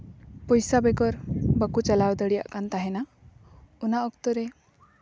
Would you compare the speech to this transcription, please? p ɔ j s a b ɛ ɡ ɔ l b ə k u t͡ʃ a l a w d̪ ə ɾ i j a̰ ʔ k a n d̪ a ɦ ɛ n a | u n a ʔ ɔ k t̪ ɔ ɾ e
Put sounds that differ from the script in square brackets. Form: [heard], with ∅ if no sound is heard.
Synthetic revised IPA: p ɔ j s a b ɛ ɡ ɔ [ɾ] b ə k u t͡ʃ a l a w d̪ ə [ɽ] i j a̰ ʔ k a n [t̪] a ɦ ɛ n a | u n a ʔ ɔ k t̪ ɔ ɾ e